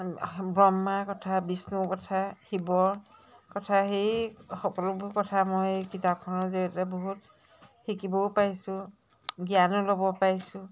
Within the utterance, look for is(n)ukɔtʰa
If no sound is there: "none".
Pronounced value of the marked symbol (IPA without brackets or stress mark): n